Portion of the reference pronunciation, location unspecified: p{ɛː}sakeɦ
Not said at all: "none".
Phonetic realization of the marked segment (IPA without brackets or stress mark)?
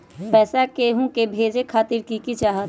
ɛː